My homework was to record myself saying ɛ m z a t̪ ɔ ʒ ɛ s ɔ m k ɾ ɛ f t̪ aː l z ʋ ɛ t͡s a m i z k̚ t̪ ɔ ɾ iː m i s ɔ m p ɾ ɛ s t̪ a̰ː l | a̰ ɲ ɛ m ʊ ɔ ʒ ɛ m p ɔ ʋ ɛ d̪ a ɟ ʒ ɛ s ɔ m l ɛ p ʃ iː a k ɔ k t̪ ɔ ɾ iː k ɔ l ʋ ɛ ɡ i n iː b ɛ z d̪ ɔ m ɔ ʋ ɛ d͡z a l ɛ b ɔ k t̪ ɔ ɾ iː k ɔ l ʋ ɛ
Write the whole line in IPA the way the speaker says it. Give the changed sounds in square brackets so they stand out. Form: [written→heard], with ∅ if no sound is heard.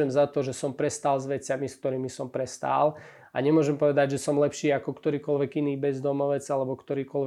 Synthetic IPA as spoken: ɛ m z a t̪ ɔ ʒ ɛ s ɔ m [k→p] ɾ ɛ [f→s] t̪ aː l z ʋ ɛ t͡s a m i [z→s] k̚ t̪ ɔ ɾ iː m i s ɔ m p ɾ ɛ s t̪ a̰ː l | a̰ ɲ ɛ m ʊ ɔ ʒ ɛ m p ɔ ʋ ɛ d̪ a ɟ ʒ ɛ s ɔ m l ɛ p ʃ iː a k ɔ k t̪ ɔ ɾ iː k ɔ l ʋ ɛ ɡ i n iː b ɛ z d̪ ɔ m ɔ ʋ ɛ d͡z a l ɛ b ɔ k t̪ ɔ ɾ iː k ɔ l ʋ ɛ